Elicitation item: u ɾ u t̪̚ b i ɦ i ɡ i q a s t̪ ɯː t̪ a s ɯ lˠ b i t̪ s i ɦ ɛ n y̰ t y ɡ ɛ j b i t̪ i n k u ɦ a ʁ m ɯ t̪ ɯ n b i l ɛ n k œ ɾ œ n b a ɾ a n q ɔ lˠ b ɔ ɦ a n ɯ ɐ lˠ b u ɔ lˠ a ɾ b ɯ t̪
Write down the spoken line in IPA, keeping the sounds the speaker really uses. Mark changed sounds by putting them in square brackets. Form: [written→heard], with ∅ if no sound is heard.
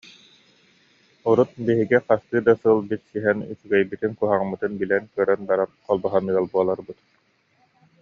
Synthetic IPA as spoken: u ɾ u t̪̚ b i ɦ i ɡ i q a s t̪ ɯː [t̪→d̪] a s ɯ lˠ b i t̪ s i ɦ ɛ n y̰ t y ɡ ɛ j b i t̪ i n k u ɦ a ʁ m ɯ t̪ ɯ n b i l ɛ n k œ ɾ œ n b a ɾ a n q ɔ lˠ b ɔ ɦ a n ɯ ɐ lˠ b u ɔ lˠ a ɾ b ɯ t̪